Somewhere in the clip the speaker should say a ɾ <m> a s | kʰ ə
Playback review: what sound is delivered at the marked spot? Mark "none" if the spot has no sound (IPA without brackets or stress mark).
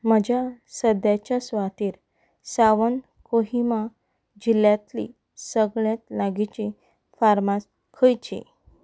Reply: m